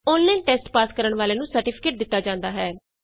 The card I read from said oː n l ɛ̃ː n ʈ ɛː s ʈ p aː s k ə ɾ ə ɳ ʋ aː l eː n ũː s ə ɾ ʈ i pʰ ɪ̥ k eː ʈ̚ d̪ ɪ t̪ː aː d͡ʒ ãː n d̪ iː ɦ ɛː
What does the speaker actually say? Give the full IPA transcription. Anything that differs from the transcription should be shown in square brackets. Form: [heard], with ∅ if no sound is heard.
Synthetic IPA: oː n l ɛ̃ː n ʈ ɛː s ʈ p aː s k ə ɾ ə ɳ ʋ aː l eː n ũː s ə ɾ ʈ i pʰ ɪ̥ k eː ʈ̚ d̪ ɪ t̪ː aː d͡ʒ ãː n d̪ [aː] ɦ ɛː

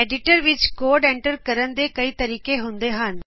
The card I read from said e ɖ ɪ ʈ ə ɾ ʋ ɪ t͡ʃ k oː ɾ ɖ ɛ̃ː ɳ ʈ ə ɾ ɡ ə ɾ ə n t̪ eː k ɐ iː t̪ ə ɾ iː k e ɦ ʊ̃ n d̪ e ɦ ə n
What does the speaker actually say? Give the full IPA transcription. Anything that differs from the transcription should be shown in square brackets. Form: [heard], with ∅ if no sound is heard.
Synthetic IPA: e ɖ ɪ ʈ ə ɾ ʋ ɪ t͡ʃ k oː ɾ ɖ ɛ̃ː ɳ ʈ ə ɾ [k] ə ɾ ə n [d̪] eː k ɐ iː t̪ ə ɾ iː k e ɦ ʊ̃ n d̪ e ɦ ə n

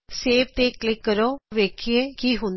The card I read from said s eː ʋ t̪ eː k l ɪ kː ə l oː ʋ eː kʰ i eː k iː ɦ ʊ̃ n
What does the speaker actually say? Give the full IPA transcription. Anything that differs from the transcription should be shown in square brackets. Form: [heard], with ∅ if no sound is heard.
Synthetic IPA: s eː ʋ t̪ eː k l ɪ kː ə [ɾ] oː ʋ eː kʰ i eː k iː ɦ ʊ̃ n

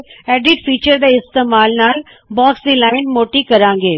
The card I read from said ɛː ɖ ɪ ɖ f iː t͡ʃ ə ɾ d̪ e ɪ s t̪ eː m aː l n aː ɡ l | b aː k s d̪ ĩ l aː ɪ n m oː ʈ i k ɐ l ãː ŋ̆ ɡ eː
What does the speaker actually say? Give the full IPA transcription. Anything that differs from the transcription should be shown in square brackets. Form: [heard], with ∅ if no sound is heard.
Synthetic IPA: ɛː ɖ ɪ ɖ f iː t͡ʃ ə ɾ d̪ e ɪ s t̪ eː m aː l n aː [∅] l | b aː k s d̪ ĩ l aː ɪ n m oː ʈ i k ɐ [ɾ] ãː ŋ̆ ɡ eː

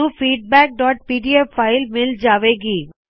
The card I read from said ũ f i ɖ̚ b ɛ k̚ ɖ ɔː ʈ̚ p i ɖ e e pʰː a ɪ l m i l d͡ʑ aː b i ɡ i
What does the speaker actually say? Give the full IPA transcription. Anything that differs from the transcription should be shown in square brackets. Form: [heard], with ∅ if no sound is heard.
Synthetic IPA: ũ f i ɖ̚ b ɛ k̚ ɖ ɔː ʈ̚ p i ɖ [i] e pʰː a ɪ l m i l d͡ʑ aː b [e] ɡ i

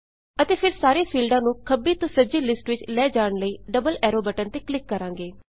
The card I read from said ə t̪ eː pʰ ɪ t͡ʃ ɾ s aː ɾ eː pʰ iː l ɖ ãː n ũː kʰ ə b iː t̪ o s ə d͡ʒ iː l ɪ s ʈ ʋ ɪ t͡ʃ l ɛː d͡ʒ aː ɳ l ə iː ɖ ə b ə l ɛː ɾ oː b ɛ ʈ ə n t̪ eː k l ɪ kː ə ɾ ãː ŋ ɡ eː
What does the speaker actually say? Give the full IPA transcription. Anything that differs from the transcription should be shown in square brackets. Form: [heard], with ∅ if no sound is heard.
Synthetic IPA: ə t̪ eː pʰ ɪ [∅] ɾ s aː ɾ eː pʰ iː l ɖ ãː n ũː kʰ ə b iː t̪ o s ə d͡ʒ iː l ɪ s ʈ ʋ ɪ t͡ʃ l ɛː d͡ʒ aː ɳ l ə iː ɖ ə b ə l ɛː ɾ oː b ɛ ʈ ə n t̪ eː k l ɪ kː ə ɾ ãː ŋ ɡ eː

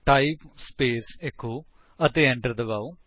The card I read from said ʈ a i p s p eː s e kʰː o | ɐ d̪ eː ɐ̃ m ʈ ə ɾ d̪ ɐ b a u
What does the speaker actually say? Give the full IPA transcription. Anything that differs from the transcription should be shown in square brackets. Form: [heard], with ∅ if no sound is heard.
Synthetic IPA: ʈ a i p s p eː s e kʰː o | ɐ [t̪] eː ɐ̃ [ɳ] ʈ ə ɾ d̪ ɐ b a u

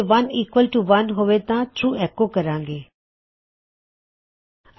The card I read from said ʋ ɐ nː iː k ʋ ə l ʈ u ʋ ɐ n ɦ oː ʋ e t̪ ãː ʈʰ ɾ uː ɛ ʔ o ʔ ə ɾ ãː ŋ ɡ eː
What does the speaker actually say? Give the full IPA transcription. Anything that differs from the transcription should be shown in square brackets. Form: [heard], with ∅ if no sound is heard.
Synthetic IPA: ʋ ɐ [n] iː k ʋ ə l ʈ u ʋ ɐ n ɦ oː ʋ e t̪ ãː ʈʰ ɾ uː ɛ [k] o [k] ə ɾ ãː ŋ ɡ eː

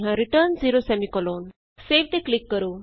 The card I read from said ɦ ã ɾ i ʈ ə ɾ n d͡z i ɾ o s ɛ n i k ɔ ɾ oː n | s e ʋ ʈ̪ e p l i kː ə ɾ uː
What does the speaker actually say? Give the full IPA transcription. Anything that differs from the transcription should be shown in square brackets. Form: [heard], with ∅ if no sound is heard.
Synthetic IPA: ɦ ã ɾ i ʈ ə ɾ n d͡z i ɾ o s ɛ [m] i k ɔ [l] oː n | s e ʋ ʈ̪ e [k] l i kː ə ɾ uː

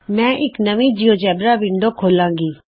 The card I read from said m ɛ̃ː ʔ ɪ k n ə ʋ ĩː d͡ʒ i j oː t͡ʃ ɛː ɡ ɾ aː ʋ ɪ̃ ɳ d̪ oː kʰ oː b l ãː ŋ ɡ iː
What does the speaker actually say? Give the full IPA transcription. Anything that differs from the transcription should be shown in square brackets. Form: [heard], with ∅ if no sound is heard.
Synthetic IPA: m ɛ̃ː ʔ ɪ k n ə ʋ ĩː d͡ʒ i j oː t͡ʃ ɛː [b] ɾ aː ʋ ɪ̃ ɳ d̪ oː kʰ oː [∅] l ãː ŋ ɡ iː

